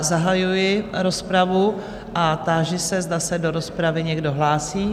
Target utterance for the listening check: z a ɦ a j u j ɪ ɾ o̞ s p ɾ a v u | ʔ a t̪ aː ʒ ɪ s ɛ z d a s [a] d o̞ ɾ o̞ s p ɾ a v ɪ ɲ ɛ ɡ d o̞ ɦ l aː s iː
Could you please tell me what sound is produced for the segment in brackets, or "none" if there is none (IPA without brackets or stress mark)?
ɛ